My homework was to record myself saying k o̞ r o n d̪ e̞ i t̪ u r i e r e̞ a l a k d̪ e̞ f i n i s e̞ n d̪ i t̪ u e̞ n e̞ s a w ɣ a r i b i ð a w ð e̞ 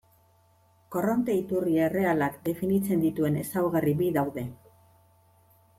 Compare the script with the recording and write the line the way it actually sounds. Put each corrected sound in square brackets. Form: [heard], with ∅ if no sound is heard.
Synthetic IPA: k o̞ r o n [t̪] e̞ i t̪ u r i e r e̞ a l a k d̪ e̞ f i n i [t͡s] e̞ n d̪ i t̪ u e̞ n e̞ s a w ɣ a r i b i ð a w ð e̞